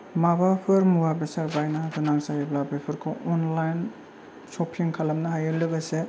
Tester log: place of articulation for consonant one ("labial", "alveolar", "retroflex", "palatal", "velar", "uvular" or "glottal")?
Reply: labial